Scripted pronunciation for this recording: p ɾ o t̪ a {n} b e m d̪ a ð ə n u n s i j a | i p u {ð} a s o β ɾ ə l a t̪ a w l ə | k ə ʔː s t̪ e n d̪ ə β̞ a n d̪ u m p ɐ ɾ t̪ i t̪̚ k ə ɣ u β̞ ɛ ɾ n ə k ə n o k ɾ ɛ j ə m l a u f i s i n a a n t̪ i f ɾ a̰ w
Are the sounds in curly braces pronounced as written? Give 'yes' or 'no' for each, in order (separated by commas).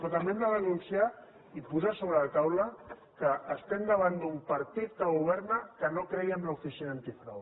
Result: no, no